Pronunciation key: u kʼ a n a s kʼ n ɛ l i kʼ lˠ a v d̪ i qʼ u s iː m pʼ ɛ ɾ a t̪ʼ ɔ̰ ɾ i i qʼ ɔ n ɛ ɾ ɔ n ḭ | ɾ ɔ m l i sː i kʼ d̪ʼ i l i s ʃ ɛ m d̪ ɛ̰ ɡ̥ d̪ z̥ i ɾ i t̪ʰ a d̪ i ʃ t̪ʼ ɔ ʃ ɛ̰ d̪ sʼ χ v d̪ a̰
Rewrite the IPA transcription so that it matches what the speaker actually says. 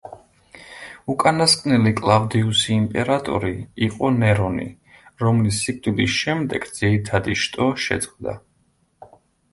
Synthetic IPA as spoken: u kʼ a n a s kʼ n ɛ l i kʼ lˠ a v d̪ i u s iː m pʼ ɛ ɾ a t̪ʼ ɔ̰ ɾ i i qʼ ɔ n ɛ ɾ ɔ n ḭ | ɾ ɔ m l i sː i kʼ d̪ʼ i l i s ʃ ɛ m d̪ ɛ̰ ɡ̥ d̪ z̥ i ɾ i t̪ʰ a d̪ i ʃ t̪ʼ ɔ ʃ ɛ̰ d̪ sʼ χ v d̪ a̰

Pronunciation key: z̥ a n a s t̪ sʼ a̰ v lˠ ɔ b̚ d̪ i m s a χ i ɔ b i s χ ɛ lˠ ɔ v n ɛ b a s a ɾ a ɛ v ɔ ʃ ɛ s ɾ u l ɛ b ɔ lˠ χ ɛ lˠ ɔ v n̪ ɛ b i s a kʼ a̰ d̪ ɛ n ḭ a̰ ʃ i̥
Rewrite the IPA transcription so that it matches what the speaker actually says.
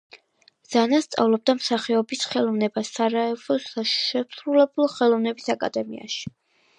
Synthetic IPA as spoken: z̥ a n a s t̪ sʼ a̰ v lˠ ɔ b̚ d̪ a m s a χ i ɔ b i s χ ɛ lˠ ɔ v n ɛ b a s a ɾ a ɛ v ɔ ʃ ɛ s ɾ u l ɛ b u lˠ χ ɛ lˠ ɔ v n̪ ɛ b i s a kʼ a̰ d̪ ɛ m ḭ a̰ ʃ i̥

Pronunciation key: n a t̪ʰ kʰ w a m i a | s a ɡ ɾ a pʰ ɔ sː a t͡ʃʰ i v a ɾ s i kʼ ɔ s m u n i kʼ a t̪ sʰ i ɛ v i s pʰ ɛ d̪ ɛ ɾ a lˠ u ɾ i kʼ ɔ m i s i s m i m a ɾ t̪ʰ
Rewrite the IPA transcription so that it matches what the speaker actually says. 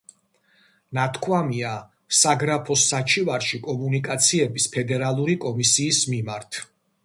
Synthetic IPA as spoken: n a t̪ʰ kʰ w a m i a | s a ɡ ɾ a pʰ ɔ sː a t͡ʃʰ i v a ɾ ʃ i kʼ ɔ m u n i kʼ a t̪ sʰ i ɛ b i s pʰ ɛ d̪ ɛ ɾ a lˠ u ɾ i kʼ ɔ m i s iː s m i m a ɾ t̪ʰ

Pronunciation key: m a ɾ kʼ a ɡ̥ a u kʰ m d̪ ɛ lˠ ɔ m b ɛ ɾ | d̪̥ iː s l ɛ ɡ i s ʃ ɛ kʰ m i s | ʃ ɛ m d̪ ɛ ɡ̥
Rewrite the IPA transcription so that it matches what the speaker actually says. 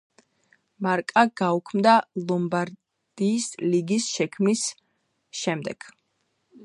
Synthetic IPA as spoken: m a ɾ kʼ a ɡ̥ a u kʰ m d̪ a lˠ ɔ m b a ɾ | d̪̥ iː s l i ɡ i s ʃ ɛ kʰ m i s | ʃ ɛ m d̪ ɛ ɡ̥

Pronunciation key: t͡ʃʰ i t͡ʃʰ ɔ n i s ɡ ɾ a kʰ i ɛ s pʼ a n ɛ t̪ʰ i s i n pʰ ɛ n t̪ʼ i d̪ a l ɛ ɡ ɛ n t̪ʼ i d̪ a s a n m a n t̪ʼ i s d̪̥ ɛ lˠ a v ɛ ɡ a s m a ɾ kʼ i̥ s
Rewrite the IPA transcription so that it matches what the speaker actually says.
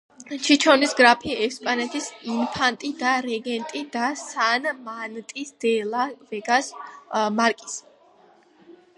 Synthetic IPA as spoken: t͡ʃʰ i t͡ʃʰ ɔ n i s ɡ ɾ a pʰ i ɛ s pʼ a n ɛ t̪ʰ i s i n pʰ a n t̪ʼ i d̪ a ɾ ɛ ɡ ɛ n t̪ʼ i d̪ a s a n m a n t̪ʼ i s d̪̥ ɛ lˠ a v ɛ ɡ a s m a ɾ kʼ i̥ s

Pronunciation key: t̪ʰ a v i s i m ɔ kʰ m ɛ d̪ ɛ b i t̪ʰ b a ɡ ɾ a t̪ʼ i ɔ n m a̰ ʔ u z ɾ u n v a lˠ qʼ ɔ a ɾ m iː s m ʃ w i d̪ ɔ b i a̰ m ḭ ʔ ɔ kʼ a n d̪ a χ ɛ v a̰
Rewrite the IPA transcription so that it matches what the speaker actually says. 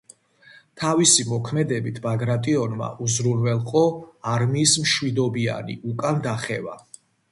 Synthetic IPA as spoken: t̪ʰ a v i s i m ɔ kʰ m ɛ d̪ ɛ b i t̪ʰ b a ɡ ɾ a t̪ʼ i ɔ n m a̰ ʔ u z ɾ u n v ɛ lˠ qʼ ɔ a ɾ m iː s m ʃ w i d̪ ɔ b i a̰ n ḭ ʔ u kʼ a n d̪ a χ ɛ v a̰

